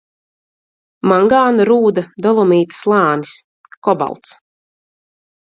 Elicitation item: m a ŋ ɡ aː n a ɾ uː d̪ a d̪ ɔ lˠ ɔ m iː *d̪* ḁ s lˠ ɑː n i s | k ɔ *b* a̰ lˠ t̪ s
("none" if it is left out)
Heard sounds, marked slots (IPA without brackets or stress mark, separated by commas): t̪, b